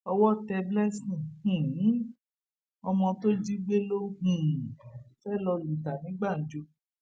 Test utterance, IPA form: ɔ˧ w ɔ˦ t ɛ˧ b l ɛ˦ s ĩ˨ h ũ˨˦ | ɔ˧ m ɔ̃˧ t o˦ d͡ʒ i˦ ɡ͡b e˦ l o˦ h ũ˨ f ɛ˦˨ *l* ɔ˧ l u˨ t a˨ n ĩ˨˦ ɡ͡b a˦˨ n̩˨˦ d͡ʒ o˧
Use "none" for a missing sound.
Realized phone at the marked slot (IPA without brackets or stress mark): l